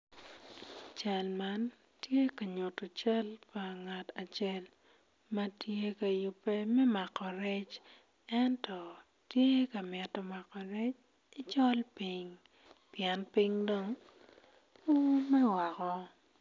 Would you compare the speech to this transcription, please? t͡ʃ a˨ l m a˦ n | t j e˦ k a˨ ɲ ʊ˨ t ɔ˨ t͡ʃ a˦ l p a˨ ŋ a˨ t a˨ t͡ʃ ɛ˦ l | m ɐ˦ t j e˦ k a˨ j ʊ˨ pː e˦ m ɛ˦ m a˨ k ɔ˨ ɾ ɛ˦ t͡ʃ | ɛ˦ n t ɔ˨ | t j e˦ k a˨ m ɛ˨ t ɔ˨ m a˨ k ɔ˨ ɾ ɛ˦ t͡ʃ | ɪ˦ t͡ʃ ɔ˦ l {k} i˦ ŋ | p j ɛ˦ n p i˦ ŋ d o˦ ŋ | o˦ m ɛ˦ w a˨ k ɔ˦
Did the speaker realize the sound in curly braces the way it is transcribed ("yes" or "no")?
no